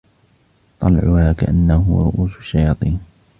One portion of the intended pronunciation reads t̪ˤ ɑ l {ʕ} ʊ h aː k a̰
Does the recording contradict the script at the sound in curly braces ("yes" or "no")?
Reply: no